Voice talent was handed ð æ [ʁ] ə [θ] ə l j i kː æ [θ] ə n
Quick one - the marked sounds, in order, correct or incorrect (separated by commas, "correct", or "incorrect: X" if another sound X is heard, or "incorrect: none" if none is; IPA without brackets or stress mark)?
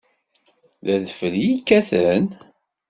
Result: incorrect: ð, incorrect: f, correct